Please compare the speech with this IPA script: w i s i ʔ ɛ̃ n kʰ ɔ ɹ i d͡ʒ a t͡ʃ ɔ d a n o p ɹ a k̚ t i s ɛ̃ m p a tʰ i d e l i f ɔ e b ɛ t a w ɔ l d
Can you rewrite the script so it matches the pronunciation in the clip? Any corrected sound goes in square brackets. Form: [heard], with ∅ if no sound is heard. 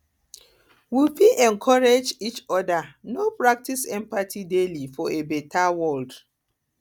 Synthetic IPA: w i [f] i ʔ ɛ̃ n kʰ ɔ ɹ [e] d͡ʒ [i] t͡ʃ ɔ d a n o p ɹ a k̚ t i s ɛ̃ m p a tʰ i d e l i f ɔ e b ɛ t a w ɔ l d